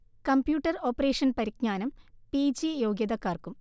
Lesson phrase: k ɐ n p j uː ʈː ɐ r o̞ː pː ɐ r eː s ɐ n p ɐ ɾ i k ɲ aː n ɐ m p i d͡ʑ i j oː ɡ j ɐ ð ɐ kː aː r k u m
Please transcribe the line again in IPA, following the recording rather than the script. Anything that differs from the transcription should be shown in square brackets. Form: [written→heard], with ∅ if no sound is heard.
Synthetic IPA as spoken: k ɐ [n→m] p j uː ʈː ɐ r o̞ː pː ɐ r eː [s→ʂ] ɐ n p ɐ ɾ i k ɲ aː n ɐ m p i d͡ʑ i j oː ɡ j ɐ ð ɐ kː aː r k u m